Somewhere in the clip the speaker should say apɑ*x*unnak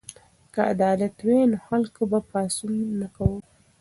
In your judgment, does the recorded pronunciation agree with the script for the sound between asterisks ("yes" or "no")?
no